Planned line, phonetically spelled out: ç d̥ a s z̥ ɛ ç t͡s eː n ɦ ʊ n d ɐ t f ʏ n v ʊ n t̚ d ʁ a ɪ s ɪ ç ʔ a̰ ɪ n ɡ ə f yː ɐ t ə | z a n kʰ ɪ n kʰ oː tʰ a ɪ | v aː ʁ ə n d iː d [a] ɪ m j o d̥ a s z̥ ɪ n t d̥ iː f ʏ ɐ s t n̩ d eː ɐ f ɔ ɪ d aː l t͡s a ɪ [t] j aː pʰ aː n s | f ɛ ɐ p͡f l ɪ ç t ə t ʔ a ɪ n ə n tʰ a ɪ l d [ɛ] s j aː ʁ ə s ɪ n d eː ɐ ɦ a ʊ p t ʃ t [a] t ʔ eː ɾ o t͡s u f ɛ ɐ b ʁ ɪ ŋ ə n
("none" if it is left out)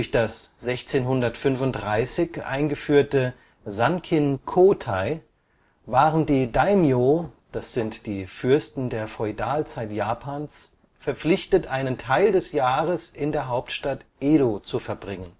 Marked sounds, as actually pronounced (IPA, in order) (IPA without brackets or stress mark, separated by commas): a, t, ɛ, a